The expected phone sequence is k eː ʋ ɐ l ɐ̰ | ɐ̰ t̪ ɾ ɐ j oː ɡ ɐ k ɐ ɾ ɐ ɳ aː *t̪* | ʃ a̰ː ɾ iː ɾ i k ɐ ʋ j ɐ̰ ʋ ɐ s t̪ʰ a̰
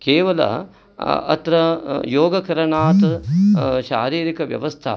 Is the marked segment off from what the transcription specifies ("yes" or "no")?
no